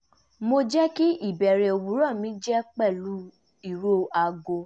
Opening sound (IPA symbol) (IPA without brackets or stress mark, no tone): m